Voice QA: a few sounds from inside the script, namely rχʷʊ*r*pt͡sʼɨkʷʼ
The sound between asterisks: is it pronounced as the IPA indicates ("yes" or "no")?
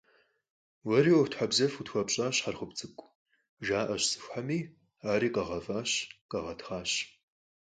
no